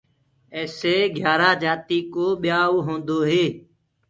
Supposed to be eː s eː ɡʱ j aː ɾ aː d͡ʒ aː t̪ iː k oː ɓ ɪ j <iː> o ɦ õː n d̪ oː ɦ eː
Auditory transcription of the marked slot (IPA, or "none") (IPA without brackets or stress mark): aː